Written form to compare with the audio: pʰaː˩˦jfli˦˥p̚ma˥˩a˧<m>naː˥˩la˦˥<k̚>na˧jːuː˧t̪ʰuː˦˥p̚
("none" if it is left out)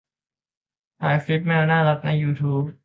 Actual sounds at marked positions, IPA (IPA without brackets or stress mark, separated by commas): none, k̚